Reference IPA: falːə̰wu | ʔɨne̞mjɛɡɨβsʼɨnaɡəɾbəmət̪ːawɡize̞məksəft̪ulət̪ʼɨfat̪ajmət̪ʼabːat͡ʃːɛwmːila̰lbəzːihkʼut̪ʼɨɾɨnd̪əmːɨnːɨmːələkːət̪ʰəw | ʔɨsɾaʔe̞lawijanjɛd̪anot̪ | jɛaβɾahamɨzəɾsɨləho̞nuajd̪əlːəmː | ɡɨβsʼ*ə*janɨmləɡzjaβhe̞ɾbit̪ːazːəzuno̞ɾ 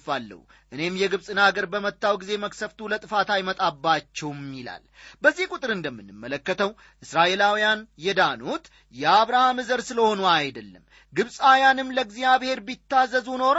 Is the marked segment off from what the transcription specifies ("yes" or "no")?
yes